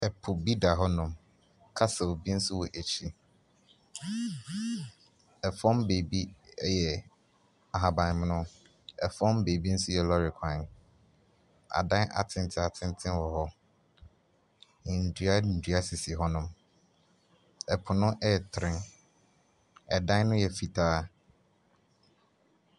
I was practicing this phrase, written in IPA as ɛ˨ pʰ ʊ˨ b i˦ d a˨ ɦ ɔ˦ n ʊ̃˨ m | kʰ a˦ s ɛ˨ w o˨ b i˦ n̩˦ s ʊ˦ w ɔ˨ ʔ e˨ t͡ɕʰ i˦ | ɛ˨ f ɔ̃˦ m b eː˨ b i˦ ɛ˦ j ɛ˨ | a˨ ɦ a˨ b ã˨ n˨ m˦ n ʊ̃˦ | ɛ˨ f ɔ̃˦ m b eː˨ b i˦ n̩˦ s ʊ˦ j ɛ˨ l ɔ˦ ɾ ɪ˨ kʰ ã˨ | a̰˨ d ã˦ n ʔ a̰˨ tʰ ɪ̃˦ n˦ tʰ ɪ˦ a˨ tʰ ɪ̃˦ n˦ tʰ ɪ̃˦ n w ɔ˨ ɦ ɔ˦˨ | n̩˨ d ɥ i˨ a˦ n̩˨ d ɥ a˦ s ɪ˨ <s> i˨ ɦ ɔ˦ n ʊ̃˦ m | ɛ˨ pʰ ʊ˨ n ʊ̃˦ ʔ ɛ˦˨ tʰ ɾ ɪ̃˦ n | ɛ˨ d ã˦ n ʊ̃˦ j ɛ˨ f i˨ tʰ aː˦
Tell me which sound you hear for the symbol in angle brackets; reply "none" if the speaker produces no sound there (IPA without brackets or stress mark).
s